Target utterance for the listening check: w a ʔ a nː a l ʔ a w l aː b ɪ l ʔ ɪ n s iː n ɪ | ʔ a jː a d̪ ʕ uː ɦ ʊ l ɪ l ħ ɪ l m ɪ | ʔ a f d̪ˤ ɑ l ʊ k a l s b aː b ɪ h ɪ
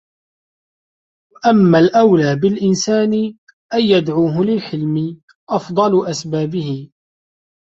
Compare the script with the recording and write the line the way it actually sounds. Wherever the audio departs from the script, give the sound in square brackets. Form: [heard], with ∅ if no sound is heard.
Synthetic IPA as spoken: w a ʔ a [mː] a l ʔ a w l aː b ɪ l ʔ ɪ n s [aː] n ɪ | ʔ a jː a d̪ ʕ uː ɦ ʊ l ɪ l ħ ɪ l m ɪ | ʔ [ɑ] f d̪ˤ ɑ l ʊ [ʔ] a [∅] s b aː b ɪ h ɪ